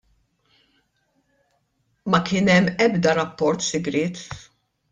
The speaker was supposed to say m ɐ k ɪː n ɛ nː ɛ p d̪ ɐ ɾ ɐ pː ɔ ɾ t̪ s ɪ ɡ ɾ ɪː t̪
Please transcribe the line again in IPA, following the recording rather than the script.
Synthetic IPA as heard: m ɐ k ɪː n ɛ mː ɛ b d̪ ɐ ɾ ɐ pː ɔ ɾ t̪ s ɪ ɡ ɾ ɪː t̪